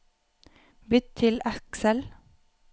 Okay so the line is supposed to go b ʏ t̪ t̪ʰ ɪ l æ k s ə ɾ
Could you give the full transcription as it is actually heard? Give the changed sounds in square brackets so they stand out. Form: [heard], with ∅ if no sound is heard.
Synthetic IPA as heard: b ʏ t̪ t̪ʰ ɪ l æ k s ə [l]

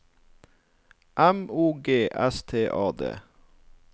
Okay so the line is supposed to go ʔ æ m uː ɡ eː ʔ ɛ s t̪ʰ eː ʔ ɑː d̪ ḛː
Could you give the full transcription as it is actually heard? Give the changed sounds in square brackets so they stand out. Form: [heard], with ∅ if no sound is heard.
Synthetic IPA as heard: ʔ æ m uː ɡ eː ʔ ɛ s t̪ʰ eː ʔ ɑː d̪ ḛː

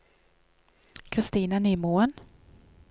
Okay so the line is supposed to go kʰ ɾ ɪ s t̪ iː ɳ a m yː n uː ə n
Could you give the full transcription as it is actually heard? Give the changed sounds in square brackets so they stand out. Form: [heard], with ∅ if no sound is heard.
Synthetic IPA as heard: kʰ ɾ ɪ s t̪ iː [n] a [n] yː [m] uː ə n

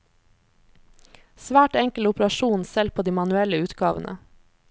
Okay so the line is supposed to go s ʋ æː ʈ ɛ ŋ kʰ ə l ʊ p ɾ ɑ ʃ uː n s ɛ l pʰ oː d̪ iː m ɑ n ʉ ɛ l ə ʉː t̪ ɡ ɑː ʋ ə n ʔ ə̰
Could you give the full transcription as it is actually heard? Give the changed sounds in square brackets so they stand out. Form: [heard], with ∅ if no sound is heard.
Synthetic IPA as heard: s ʋ æː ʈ ɛ ŋ [k] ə l ʊ p ɾ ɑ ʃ uː n s ɛ l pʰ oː d̪ iː m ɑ n ʉ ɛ l ə ʉː t̪ ɡ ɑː ʋ ə n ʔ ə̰

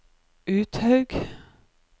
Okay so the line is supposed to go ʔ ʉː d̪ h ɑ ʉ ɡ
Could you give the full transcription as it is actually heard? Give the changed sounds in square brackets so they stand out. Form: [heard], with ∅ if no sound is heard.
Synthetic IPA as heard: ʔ ʉː [t̪] h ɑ ʉ ɡ

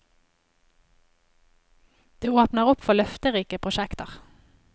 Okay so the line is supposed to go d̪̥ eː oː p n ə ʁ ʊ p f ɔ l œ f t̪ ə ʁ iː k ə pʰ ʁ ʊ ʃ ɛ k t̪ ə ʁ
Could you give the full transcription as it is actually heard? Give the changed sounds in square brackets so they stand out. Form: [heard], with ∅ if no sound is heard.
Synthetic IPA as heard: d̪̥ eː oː p n ə ʁ ʊ p f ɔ l œ f t̪ ə ʁ iː k ə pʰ ʁ ʊ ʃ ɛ k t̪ ə ʁ

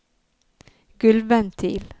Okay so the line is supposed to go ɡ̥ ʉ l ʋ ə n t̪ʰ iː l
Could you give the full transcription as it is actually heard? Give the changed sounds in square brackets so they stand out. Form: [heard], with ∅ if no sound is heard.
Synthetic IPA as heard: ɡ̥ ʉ l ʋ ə n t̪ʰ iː l

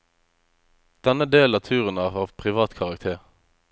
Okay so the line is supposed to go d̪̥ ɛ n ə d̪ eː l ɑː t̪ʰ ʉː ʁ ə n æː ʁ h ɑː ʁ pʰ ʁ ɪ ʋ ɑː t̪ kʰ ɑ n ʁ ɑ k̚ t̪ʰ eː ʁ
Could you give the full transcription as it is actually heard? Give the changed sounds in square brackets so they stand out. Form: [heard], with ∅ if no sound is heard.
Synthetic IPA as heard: d̪̥ ɛ n ə d̪ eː l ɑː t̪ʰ ʉː ʁ ə n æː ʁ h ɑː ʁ pʰ ʁ ɪ ʋ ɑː t̪ kʰ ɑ [∅] ʁ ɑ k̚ t̪ʰ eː ʁ

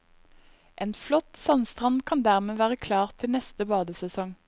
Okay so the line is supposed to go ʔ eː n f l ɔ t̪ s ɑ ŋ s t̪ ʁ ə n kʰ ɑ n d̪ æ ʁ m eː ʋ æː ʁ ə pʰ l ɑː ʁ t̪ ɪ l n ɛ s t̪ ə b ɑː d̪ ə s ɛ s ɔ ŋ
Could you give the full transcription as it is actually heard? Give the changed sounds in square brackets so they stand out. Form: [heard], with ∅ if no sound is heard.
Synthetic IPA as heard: ʔ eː n f l ɔ t̪ s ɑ [n] s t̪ ʁ [ɑ] n kʰ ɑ n d̪ æ ʁ m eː ʋ æː ʁ ə [kʰ] l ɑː ʁ [t̪ʰ] ɪ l n ɛ s t̪ ə b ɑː d̪ ə s ɛ s ɔ ŋ

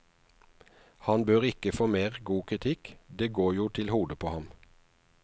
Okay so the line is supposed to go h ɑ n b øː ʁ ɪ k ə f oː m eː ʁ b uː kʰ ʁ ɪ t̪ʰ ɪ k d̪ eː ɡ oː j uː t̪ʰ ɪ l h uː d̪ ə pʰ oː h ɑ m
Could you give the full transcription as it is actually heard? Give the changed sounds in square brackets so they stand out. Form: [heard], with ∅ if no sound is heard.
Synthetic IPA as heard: h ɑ n b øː ʁ ɪ k ə f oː m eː ʁ [ɡ] uː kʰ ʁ ɪ t̪ʰ ɪ k d̪ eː ɡ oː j uː t̪ʰ ɪ l h uː d̪ ə pʰ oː h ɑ m

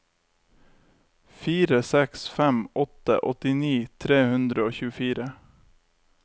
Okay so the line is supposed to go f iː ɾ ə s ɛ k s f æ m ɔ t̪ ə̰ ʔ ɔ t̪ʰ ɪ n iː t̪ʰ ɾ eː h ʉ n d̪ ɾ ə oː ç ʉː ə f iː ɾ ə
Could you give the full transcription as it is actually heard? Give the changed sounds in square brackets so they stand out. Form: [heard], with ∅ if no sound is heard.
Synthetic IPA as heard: f iː ɾ ə s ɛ k s f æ m ɔ t̪ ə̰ ʔ ɔ [t̪] ɪ n iː t̪ʰ ɾ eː h ʉ n d̪ ɾ ə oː ç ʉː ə f iː ɾ ə

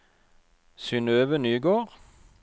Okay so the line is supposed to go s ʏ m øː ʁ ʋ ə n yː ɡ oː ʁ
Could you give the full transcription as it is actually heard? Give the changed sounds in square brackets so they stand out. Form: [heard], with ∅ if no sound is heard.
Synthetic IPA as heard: s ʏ [n] øː [∅] ʋ ə n yː ɡ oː ʁ

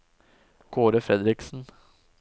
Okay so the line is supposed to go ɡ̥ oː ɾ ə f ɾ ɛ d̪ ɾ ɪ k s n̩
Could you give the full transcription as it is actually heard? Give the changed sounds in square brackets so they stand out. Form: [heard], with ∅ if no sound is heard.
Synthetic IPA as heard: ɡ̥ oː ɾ ə f ɾ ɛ d̪ ɾ ɪ k s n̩

